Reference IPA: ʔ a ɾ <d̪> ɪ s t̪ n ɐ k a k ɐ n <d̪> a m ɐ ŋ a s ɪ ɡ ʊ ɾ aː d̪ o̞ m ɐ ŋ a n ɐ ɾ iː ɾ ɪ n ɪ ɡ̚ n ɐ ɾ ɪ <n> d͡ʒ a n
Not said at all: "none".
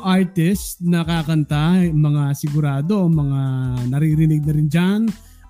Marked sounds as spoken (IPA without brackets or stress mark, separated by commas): t̪, t̪, n